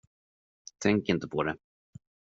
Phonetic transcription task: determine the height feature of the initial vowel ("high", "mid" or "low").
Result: mid